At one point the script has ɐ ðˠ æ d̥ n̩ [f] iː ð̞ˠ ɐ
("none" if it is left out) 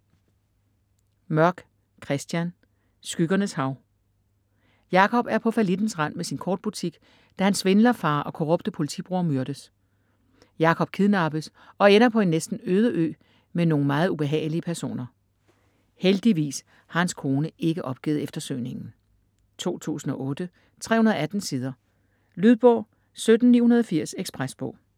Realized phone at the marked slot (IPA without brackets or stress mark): s